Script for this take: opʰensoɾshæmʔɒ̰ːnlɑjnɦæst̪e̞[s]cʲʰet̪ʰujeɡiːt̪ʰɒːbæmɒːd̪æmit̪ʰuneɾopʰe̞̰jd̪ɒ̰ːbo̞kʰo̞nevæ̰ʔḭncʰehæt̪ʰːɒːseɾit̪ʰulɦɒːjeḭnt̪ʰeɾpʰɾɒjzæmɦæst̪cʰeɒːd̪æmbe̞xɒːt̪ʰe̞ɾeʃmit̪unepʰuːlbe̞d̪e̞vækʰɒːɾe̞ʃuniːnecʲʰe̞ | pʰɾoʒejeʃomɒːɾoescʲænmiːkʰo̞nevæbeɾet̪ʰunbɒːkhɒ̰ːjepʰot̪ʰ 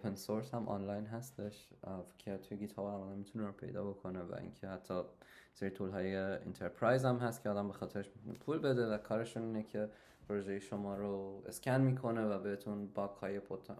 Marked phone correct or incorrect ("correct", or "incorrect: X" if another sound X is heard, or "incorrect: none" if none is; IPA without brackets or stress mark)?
incorrect: ʃ